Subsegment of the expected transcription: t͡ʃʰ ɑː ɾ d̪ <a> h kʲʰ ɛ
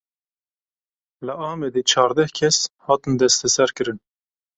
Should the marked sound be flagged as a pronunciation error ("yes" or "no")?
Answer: yes